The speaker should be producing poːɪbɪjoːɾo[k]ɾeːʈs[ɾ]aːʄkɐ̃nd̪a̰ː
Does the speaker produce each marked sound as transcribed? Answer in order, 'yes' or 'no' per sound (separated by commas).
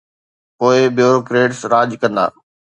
yes, yes